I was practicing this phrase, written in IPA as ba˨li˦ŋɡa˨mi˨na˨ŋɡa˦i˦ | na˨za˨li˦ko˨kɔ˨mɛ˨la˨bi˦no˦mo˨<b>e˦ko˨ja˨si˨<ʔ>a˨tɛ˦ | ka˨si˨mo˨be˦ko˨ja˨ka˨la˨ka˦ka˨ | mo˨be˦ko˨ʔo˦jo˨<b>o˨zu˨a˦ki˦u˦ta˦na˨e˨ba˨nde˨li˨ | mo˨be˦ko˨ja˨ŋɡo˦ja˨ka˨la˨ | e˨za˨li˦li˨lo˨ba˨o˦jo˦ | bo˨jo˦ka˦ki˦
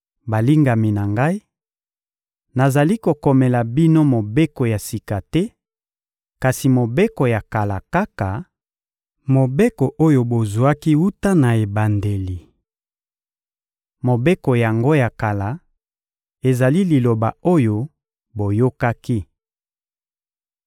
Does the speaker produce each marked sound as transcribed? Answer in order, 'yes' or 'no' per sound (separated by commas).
yes, no, yes